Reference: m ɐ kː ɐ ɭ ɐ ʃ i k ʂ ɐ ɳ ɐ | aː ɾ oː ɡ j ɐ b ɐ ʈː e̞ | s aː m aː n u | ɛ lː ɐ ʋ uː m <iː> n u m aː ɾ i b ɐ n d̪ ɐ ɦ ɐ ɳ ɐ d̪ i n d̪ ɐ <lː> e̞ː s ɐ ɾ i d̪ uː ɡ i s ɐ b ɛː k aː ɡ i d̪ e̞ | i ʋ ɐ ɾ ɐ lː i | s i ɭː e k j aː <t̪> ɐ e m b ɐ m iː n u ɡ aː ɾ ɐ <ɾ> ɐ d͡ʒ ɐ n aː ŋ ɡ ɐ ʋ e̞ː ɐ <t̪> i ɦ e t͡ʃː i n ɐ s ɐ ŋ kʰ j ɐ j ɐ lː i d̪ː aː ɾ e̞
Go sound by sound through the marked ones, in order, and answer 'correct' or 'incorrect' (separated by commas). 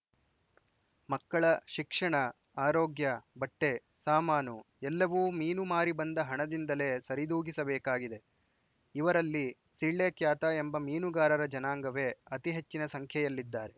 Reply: correct, incorrect, correct, correct, correct